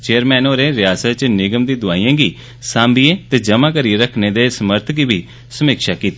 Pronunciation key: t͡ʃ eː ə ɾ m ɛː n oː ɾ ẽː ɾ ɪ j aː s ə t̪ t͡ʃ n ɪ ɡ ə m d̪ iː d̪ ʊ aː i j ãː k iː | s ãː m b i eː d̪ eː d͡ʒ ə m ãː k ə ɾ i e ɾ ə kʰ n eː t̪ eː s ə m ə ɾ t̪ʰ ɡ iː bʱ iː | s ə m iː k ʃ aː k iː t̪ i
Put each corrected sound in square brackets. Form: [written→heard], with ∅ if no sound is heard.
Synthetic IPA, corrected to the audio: t͡ʃ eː ə ɾ m ɛː n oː ɾ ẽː ɾ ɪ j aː s ə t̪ t͡ʃ n ɪ ɡ ə m d̪ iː d̪ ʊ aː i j ãː [k→ɡ] iː | s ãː m b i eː [d̪→t̪] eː d͡ʒ ə m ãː k ə ɾ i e ɾ ə kʰ n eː [t̪→d̪] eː s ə m ə ɾ t̪ʰ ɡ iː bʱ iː | s ə m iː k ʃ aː k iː t̪ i

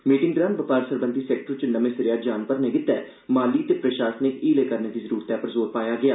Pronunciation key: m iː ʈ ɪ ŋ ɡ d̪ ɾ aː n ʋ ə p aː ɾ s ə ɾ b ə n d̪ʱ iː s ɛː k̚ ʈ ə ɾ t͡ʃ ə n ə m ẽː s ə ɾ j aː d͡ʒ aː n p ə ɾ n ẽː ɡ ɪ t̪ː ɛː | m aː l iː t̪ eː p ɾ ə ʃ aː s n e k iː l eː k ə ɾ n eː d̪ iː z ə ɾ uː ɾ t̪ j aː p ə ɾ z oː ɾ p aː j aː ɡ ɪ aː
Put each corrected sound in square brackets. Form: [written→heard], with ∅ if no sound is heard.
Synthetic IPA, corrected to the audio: m iː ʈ ɪ ŋ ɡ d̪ ɾ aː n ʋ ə p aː ɾ s ə ɾ b ə n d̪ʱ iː s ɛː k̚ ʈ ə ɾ t͡ʃ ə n ə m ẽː s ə ɾ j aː d͡ʒ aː n p ə ɾ n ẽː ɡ ɪ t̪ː ɛː | m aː l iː t̪ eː p ɾ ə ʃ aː s n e k iː l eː k ə ɾ n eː d̪ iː z ə ɾ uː ɾ t̪ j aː p ə ɾ z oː ɾ p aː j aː ɡ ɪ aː

